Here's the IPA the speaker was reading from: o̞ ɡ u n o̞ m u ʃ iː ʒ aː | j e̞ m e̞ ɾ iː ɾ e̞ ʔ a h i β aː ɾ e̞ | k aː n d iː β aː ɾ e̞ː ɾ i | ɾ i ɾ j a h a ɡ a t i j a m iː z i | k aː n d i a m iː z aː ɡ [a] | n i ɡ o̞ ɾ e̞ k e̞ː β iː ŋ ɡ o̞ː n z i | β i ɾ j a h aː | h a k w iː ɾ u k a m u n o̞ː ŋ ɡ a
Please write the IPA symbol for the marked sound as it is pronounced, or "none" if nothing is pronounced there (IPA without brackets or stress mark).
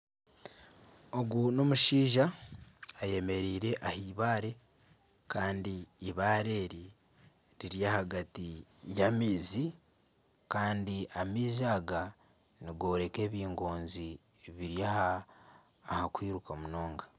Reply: a